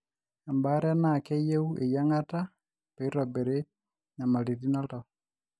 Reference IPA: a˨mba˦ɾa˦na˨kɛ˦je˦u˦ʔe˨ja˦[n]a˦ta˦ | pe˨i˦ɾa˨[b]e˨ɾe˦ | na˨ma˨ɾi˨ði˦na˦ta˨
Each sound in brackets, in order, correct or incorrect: incorrect, correct

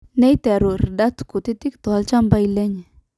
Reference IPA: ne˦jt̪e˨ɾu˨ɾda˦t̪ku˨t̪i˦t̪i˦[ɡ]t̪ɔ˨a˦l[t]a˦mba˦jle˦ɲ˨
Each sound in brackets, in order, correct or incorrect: incorrect, incorrect

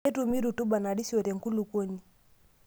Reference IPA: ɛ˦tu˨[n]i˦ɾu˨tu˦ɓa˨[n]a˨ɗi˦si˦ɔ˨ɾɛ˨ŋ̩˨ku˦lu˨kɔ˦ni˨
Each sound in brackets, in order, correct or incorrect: incorrect, correct

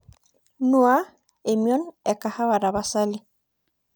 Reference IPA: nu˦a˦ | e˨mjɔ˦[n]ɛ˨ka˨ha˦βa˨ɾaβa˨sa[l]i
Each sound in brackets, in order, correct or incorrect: correct, correct

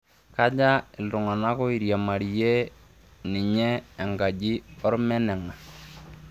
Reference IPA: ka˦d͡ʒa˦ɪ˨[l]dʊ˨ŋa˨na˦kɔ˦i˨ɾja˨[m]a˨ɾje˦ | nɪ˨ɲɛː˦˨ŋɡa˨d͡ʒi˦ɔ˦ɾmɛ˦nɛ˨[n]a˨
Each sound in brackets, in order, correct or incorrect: correct, correct, incorrect

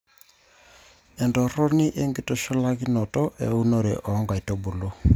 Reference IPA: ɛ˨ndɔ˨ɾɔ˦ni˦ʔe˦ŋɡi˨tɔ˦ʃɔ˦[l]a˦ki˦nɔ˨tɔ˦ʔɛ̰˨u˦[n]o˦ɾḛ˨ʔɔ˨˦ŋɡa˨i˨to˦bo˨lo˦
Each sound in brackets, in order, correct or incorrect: correct, correct

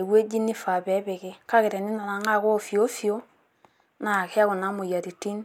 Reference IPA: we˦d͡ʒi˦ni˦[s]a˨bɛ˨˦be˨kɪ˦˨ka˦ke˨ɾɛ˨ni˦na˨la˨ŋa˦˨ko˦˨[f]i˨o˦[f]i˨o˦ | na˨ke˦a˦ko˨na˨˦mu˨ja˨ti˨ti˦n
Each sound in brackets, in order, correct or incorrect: incorrect, correct, correct

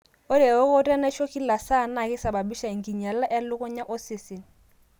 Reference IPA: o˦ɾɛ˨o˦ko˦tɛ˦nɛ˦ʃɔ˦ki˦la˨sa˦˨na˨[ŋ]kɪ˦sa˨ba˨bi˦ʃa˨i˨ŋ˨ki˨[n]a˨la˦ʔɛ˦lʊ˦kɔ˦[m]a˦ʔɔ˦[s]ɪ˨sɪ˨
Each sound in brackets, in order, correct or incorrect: incorrect, incorrect, incorrect, correct

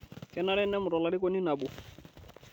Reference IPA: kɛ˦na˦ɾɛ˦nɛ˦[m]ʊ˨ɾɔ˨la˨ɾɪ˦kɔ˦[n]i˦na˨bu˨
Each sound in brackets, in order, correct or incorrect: correct, correct

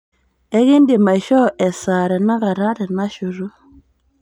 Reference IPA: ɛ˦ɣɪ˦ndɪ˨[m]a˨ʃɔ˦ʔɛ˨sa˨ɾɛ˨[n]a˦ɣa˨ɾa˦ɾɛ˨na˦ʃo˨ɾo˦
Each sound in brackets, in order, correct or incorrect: correct, correct

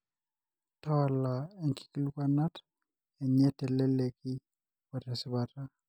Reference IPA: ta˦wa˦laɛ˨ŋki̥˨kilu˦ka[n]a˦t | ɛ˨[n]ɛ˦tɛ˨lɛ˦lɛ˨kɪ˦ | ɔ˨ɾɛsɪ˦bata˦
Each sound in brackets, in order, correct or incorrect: correct, incorrect

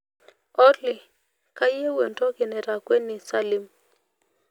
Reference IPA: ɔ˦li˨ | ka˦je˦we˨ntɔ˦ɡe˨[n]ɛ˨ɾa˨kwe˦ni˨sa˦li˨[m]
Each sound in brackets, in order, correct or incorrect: correct, correct

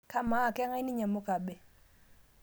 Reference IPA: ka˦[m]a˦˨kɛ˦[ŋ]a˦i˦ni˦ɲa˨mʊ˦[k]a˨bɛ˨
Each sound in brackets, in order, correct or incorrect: correct, correct, correct

